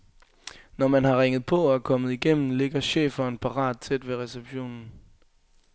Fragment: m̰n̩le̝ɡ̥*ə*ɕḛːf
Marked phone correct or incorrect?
incorrect